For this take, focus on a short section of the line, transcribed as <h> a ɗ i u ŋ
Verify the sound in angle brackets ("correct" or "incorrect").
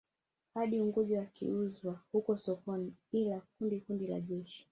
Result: correct